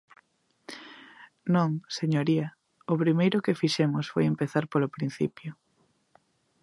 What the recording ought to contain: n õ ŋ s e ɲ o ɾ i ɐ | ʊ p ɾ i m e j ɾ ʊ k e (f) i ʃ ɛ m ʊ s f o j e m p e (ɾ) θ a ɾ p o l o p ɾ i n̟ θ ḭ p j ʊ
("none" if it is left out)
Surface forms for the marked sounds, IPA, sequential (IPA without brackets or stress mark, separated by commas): f, none